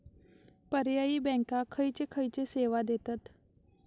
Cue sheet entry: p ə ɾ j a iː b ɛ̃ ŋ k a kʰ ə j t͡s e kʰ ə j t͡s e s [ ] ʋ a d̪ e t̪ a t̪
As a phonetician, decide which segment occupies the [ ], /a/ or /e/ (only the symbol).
e